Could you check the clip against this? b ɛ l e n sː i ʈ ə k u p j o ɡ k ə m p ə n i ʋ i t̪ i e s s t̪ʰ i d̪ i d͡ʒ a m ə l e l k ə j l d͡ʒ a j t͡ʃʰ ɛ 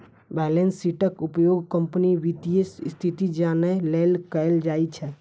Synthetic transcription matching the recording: b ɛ l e n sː i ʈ ə k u p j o ɡ k ə m p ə n i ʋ i t̪ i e s s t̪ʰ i t̪ i d͡ʒ a n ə l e l k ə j l d͡ʒ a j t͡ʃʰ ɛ